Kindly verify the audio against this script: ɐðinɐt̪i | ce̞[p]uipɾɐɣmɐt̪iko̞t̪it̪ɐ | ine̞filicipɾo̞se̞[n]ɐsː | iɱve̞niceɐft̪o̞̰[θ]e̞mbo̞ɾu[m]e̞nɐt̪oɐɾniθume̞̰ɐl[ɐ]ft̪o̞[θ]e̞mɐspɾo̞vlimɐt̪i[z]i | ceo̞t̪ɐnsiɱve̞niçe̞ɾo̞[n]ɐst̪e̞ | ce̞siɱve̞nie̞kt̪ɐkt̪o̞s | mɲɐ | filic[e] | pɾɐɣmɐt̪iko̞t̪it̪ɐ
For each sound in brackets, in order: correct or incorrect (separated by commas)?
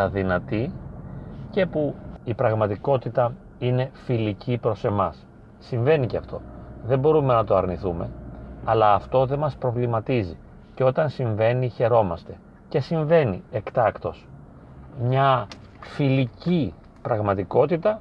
correct, incorrect, incorrect, correct, incorrect, incorrect, correct, incorrect, incorrect